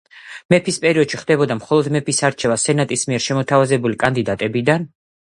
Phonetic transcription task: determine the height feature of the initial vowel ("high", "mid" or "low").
mid